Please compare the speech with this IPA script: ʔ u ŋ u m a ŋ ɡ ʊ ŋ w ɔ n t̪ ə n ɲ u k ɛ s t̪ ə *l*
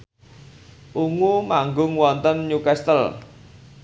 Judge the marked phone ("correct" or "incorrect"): correct